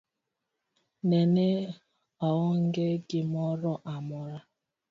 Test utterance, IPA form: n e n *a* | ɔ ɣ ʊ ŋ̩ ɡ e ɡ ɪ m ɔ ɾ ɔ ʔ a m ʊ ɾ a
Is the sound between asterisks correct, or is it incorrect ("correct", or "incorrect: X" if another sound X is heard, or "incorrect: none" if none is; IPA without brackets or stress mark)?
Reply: incorrect: e